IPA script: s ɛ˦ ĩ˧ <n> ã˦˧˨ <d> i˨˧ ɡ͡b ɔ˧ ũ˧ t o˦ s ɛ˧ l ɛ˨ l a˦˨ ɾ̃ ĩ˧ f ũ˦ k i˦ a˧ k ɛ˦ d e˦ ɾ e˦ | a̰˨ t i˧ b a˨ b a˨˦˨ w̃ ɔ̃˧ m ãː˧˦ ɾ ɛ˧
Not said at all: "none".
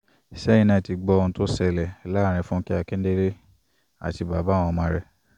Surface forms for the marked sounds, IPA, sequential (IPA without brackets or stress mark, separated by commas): n, t